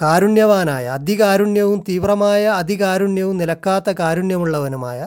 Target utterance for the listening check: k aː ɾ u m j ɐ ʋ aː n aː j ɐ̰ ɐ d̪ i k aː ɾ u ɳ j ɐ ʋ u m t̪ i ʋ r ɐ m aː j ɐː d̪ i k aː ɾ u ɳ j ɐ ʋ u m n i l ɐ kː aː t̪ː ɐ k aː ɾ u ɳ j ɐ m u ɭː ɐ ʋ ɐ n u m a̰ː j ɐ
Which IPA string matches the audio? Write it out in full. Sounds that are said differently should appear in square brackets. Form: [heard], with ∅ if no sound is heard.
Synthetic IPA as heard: k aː ɾ u [ɳ] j ɐ ʋ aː n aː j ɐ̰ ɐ d̪ i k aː ɾ u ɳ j ɐ ʋ u m t̪ [iː] ʋ r ɐ m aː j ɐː d̪ i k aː ɾ u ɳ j ɐ ʋ u m n i l ɐ kː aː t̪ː ɐ k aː ɾ u ɳ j ɐ m u ɭː ɐ ʋ ɐ n u m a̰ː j ɐ